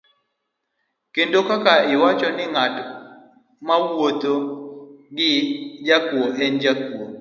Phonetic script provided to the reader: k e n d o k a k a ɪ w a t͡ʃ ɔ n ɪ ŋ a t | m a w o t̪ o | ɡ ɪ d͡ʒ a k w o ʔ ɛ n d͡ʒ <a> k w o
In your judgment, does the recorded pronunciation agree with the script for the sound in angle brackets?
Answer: yes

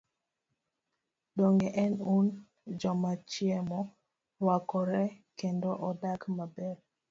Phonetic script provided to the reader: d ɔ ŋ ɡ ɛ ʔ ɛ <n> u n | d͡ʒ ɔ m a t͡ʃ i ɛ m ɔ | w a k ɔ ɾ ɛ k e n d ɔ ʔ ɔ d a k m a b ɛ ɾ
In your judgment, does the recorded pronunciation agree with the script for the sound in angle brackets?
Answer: yes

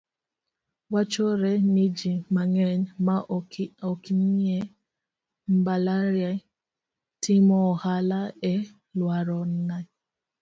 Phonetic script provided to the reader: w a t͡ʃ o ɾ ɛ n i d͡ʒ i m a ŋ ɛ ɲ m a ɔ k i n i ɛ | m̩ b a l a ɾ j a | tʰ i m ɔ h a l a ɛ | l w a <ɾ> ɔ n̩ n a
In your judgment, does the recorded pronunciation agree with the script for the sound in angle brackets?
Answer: yes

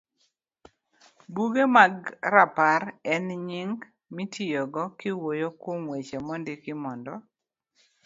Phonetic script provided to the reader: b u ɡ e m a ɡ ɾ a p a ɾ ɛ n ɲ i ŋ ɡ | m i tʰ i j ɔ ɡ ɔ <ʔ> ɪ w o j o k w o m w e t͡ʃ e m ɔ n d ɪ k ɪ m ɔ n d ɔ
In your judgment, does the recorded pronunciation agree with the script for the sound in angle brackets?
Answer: no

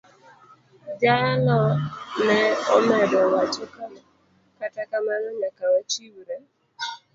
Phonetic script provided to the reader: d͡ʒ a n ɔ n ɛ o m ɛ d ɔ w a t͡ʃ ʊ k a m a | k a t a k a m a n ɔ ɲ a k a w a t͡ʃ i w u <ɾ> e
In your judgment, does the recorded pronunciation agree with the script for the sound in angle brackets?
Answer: yes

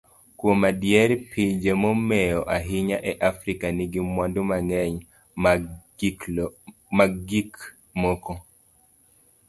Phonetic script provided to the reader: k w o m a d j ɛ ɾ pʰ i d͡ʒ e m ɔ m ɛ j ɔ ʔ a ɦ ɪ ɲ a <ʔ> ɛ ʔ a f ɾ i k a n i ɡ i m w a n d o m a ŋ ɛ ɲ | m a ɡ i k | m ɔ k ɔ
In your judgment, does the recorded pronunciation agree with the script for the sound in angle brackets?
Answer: yes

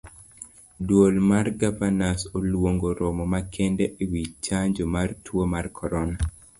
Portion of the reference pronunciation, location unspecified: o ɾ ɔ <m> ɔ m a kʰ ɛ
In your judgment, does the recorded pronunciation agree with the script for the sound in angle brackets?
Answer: yes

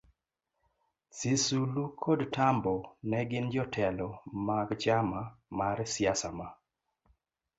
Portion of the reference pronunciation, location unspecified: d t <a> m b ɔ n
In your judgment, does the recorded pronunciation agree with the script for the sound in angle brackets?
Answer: yes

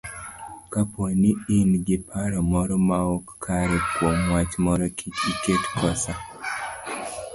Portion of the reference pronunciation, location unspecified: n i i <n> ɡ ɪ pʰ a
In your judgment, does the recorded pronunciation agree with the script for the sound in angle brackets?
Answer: yes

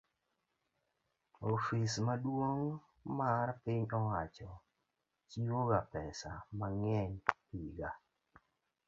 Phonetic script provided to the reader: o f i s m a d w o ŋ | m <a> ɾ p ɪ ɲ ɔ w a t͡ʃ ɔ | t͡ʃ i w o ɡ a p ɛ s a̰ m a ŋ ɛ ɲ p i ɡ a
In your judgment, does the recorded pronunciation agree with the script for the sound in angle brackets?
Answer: yes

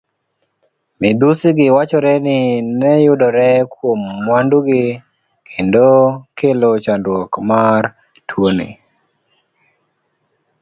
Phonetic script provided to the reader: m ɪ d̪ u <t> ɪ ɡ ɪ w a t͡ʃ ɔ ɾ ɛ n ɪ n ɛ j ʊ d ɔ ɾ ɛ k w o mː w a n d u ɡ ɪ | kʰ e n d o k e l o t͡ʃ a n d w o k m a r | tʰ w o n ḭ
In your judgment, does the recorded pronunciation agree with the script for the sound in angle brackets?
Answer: no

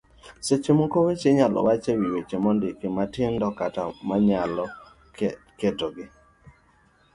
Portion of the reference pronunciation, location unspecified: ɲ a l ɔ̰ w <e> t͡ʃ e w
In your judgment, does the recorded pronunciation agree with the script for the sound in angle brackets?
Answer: no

